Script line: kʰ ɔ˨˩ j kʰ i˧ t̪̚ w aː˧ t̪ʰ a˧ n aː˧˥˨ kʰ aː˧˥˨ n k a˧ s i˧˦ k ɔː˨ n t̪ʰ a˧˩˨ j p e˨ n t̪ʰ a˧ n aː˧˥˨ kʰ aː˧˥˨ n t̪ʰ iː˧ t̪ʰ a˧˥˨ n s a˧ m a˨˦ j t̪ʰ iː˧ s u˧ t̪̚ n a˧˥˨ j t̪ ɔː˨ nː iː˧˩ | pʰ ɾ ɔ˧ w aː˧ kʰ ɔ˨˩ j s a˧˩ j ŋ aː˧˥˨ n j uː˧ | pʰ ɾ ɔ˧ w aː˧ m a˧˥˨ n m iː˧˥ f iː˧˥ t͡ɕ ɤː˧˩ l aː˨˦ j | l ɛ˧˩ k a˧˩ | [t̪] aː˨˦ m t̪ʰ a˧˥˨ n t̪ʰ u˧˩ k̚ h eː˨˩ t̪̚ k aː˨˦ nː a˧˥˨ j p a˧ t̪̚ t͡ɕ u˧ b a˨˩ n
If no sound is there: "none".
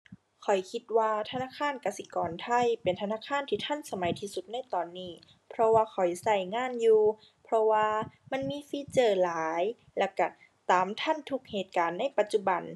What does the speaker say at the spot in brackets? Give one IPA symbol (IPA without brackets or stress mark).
t̪